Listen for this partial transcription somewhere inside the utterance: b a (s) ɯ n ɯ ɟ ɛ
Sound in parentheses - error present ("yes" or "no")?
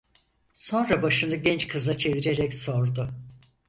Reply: yes